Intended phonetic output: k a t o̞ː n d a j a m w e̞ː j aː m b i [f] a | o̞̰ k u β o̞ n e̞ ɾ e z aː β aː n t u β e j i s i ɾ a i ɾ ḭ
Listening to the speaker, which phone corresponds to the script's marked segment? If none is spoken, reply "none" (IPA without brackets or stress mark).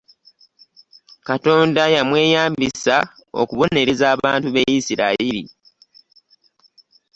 s